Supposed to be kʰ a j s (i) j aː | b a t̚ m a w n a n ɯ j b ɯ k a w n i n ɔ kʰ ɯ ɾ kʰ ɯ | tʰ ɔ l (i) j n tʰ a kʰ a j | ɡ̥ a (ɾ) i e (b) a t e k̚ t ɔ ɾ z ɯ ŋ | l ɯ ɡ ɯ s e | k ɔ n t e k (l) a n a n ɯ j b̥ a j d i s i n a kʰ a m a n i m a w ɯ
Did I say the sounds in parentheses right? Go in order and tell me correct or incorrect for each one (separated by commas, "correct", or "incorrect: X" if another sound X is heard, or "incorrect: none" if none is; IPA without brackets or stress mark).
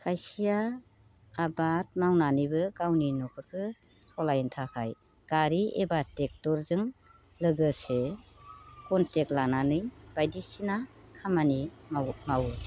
correct, incorrect: a, correct, correct, correct